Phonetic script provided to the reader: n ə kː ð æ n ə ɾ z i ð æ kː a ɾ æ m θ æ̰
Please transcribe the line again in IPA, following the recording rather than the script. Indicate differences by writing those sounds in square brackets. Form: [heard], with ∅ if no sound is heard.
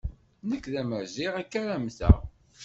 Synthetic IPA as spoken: n ə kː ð æ [m] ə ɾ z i [ʁ] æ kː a ɾ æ m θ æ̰